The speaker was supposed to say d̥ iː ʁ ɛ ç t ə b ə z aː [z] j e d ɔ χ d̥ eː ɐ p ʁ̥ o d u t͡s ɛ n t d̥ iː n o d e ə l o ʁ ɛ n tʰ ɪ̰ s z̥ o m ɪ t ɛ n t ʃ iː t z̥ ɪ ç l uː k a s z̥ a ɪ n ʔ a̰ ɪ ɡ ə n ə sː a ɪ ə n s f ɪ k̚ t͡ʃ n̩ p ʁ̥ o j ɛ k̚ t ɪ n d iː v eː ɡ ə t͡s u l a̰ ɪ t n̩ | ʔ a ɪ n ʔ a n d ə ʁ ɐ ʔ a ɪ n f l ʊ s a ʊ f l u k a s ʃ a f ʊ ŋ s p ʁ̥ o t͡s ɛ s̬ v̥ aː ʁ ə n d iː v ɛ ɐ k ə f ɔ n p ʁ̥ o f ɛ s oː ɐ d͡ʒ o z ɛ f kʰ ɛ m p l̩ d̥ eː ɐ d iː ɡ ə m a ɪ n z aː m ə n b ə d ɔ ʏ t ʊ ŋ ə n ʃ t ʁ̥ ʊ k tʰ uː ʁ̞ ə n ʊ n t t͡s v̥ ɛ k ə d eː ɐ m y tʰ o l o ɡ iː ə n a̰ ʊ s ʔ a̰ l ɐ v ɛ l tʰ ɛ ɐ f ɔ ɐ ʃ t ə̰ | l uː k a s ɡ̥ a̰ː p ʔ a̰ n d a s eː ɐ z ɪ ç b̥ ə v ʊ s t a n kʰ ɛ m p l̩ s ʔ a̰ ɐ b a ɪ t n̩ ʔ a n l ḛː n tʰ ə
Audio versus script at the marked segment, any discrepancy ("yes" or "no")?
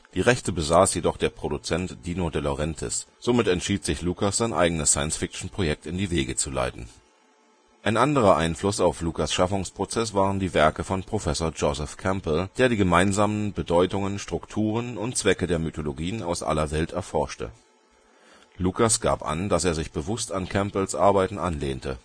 yes